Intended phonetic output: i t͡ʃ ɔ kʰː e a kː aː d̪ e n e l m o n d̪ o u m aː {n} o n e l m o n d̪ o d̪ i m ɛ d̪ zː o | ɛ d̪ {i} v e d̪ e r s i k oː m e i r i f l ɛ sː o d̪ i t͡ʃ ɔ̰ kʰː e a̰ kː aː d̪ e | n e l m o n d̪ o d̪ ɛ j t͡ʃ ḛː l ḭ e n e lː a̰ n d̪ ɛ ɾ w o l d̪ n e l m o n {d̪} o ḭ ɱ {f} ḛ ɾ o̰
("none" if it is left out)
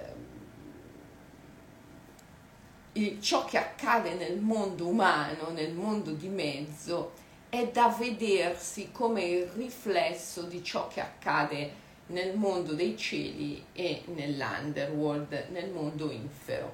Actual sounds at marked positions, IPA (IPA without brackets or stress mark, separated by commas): n, a, d̪, f